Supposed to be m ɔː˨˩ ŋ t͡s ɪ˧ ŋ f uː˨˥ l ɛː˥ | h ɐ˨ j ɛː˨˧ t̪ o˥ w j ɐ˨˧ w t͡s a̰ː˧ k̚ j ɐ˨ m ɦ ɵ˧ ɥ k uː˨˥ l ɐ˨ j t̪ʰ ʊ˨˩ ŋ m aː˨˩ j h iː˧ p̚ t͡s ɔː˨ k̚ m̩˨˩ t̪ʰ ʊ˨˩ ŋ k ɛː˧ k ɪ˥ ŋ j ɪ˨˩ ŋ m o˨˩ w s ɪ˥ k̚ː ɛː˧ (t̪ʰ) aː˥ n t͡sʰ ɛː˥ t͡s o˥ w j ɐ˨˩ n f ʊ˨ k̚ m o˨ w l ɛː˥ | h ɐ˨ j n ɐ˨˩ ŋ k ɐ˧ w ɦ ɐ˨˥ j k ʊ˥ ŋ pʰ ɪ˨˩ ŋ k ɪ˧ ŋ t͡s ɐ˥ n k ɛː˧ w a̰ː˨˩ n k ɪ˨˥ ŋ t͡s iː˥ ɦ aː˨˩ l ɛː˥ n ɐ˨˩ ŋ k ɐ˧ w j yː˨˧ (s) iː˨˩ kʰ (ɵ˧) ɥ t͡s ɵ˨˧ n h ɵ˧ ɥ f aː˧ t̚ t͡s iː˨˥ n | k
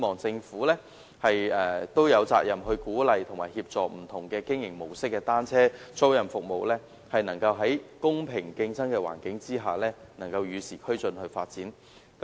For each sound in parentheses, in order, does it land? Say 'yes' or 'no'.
no, yes, no

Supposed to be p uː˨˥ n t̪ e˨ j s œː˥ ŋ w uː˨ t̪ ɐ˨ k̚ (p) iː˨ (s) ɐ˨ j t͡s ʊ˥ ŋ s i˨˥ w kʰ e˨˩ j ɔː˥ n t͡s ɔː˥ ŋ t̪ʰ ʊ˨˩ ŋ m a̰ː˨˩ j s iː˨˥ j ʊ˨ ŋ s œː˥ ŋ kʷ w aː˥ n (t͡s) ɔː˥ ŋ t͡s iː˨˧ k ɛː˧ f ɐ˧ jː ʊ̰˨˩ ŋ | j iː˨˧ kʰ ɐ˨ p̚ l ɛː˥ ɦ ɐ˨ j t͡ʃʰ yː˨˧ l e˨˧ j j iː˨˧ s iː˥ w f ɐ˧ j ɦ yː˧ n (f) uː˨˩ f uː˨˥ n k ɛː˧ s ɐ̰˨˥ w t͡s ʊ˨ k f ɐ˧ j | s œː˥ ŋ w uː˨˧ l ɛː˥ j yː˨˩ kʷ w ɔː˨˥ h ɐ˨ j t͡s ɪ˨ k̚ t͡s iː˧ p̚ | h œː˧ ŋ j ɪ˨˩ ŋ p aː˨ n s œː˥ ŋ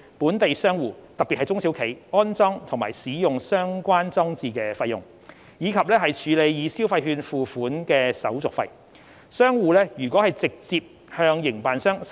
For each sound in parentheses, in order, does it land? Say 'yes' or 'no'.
yes, no, yes, yes

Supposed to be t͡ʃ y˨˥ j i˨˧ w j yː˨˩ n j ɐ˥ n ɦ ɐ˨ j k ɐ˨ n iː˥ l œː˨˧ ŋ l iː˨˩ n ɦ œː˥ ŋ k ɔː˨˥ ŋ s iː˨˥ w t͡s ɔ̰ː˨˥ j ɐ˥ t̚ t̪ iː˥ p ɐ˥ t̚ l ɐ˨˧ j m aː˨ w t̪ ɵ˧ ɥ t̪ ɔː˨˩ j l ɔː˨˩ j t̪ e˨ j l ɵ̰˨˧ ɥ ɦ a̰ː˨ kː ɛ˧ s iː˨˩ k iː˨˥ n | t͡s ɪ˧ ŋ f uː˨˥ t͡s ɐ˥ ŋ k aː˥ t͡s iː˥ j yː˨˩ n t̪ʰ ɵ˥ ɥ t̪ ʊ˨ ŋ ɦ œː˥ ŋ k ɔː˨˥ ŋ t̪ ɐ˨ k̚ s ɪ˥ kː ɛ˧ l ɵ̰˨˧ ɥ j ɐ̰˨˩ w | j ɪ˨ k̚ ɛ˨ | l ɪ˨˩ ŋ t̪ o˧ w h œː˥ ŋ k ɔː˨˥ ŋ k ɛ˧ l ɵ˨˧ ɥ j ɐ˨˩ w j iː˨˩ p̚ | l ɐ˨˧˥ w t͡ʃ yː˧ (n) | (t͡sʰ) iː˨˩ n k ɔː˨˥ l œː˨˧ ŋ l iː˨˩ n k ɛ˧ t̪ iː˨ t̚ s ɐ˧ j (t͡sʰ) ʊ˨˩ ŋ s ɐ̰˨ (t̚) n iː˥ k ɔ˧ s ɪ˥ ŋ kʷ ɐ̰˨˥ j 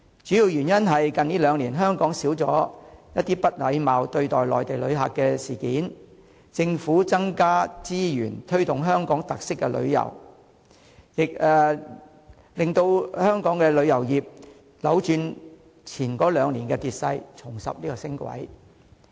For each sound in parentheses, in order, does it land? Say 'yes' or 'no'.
yes, yes, yes, no

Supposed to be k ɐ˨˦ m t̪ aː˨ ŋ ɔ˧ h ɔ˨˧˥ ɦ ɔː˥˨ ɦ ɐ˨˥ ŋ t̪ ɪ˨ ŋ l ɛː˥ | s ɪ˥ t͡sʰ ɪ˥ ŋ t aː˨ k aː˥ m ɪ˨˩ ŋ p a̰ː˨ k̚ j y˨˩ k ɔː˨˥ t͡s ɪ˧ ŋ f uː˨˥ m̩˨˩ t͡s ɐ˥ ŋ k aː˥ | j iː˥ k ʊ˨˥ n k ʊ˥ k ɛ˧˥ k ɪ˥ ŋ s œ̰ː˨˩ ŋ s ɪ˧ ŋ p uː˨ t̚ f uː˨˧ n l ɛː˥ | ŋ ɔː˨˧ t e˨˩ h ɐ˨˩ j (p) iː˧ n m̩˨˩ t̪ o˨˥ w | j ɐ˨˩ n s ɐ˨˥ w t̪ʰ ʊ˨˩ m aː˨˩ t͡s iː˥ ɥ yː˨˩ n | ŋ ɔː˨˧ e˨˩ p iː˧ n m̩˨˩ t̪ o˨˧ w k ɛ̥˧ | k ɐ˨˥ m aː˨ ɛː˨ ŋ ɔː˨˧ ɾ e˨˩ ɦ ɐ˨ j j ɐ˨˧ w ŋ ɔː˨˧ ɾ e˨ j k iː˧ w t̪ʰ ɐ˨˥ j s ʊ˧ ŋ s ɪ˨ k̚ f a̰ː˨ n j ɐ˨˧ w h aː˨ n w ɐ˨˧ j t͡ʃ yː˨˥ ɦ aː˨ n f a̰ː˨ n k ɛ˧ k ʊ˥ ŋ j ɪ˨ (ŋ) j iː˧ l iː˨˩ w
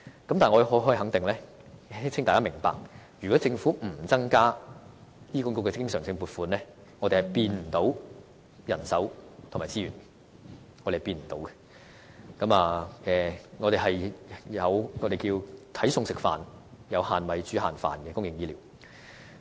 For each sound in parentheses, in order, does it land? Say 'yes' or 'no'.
yes, yes

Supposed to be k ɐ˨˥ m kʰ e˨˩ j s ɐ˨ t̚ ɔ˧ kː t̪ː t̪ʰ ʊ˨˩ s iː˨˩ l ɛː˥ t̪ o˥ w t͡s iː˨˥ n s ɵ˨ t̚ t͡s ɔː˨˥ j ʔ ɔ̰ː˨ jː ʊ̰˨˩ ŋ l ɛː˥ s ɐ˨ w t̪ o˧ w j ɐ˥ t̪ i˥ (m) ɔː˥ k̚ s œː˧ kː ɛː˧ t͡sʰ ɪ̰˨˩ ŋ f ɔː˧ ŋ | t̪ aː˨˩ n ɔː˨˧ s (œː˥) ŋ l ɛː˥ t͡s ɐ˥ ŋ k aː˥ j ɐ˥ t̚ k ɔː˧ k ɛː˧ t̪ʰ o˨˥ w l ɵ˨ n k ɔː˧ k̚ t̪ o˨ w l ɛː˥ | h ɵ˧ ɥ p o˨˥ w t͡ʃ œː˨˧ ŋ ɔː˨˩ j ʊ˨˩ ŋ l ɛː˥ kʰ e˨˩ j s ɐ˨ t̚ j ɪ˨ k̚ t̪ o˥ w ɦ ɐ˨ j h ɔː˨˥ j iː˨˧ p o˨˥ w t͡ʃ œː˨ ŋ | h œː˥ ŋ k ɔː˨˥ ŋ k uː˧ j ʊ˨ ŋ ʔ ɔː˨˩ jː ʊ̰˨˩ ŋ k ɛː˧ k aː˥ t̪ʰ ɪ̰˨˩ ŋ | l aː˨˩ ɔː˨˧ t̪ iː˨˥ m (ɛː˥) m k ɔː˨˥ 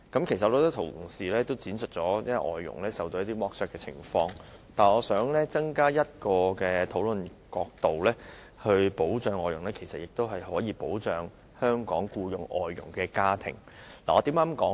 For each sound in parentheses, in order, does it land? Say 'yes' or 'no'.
yes, no, no

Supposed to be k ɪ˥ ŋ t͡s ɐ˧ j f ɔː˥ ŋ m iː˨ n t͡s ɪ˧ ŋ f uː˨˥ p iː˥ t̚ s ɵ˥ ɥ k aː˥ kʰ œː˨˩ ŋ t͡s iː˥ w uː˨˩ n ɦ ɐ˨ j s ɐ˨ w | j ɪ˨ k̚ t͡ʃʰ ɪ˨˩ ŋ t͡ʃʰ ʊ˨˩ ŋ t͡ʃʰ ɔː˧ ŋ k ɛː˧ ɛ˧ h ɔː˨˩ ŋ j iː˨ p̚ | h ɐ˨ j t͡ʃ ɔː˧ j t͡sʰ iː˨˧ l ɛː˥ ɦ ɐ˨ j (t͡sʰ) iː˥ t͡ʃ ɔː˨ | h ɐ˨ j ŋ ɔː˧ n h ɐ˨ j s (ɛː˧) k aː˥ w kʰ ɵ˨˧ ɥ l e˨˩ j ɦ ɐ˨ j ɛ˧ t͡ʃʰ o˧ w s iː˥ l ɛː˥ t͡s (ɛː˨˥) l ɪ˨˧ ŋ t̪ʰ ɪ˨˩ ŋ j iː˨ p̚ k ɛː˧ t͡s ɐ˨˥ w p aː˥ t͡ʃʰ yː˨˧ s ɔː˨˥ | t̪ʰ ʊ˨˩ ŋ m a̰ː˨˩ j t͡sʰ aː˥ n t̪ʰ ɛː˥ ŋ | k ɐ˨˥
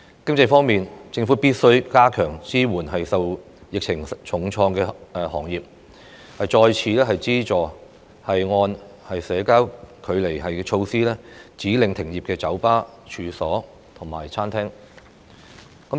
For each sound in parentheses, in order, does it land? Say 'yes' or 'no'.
no, no, no

